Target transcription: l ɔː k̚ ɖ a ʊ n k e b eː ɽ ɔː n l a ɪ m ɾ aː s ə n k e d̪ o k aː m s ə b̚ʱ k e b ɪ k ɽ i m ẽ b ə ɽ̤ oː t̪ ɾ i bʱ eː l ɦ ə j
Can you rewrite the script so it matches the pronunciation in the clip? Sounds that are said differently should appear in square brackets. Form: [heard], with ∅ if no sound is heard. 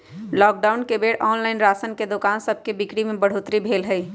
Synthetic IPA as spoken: l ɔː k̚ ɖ a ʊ n k e b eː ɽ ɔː n l a ɪ [n] ɾ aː s ə n k e d̪ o k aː [n] s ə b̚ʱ k e b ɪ k ɽ i m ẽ b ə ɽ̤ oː t̪ ɾ i bʱ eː l ɦ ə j